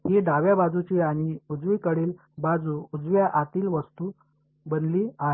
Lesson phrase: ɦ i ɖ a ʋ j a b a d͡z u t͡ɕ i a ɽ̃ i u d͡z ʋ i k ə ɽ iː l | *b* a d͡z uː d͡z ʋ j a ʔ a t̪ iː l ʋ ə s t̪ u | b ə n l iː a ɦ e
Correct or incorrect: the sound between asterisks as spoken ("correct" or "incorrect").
correct